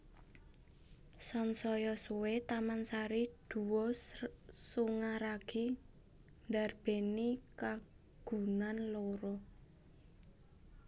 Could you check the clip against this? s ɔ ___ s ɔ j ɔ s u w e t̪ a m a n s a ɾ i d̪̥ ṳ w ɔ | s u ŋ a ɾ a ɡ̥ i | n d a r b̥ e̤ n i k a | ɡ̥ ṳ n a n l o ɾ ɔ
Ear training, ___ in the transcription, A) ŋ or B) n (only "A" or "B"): B